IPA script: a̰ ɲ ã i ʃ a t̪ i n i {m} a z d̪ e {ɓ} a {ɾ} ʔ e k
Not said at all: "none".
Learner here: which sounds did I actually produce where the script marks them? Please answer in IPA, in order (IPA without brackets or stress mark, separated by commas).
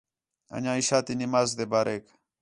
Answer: m, b, ɾ